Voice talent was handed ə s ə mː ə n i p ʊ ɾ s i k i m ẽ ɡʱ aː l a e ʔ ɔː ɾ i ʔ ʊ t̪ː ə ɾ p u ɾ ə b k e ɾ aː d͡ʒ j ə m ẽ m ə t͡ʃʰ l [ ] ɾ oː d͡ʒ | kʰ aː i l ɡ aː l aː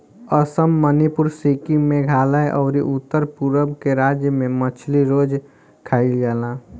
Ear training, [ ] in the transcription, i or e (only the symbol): i